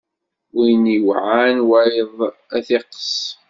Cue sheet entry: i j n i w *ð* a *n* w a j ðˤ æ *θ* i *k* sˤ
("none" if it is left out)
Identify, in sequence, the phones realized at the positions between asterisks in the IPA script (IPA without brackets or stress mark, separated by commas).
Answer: ʕ, n, θ, q